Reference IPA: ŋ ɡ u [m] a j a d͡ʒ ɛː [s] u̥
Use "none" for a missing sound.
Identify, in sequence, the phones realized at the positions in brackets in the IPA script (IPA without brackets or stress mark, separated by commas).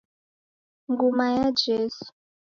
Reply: m, s